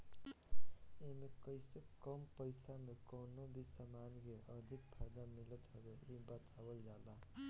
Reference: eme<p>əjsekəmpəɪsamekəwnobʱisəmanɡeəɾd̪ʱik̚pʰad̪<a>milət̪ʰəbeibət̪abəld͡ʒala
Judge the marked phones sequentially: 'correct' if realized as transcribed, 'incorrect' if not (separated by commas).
incorrect, correct